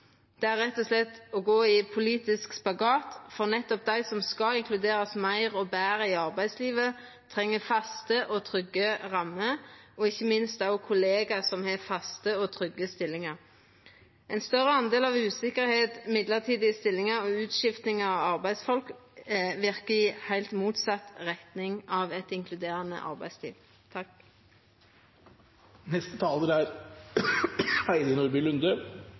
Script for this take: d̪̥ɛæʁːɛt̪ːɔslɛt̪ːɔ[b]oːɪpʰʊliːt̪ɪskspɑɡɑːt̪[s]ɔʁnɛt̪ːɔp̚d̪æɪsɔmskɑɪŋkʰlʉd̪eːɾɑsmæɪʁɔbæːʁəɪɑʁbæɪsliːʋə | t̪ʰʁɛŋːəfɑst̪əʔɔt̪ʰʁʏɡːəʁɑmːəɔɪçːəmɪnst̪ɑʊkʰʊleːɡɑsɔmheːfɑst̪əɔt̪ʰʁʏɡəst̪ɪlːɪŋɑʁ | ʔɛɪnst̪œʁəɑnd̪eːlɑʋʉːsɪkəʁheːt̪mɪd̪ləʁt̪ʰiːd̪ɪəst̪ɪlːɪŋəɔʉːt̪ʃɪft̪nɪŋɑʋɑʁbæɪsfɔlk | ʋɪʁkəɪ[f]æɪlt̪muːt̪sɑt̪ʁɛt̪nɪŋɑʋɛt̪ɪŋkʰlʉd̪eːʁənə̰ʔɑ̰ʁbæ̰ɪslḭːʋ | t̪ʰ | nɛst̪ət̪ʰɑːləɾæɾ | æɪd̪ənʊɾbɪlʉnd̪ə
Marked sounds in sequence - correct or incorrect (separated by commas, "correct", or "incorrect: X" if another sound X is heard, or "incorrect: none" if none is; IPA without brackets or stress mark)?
incorrect: ɡ, incorrect: f, incorrect: h